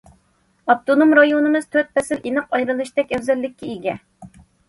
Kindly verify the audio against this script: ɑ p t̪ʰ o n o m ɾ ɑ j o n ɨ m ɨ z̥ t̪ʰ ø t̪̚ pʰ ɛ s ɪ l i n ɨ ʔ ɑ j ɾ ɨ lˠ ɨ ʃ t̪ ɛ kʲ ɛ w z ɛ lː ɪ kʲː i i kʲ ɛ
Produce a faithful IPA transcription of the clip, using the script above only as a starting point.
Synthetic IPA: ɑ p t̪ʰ o n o m ɾ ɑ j o n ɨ m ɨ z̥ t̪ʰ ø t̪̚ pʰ ɛ s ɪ l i n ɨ q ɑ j ɾ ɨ lˠ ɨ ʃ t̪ ɛ kʲ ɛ w z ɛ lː ɪ kʲː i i ɡʲ ɛ